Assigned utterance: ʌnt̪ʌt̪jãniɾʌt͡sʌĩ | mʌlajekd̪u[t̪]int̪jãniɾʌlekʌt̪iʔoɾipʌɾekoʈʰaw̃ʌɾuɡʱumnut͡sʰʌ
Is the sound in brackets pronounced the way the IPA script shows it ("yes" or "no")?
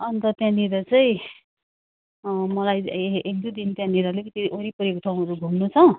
no